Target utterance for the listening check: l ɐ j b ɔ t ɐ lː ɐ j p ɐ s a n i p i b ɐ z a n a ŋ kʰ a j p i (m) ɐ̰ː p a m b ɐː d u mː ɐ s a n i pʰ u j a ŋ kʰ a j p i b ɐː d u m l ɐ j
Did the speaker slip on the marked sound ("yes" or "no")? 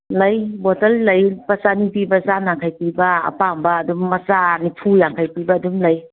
yes